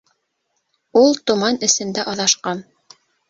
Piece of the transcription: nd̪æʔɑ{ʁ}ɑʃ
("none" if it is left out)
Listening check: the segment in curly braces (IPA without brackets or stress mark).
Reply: ð